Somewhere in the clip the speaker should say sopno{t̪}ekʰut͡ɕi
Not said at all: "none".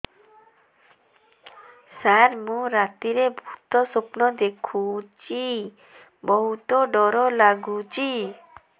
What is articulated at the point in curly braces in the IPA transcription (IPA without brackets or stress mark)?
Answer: d̪